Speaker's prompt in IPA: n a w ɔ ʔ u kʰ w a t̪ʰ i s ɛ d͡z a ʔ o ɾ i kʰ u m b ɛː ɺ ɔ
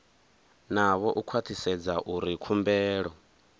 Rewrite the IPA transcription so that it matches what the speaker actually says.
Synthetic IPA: n a β ɔ ʔ u kʰ w a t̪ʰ i s ɛ d͡z a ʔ u ɾ i kʰ u m b ɛː ɺ ɔ